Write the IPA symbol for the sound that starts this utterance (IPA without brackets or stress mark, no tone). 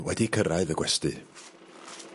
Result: w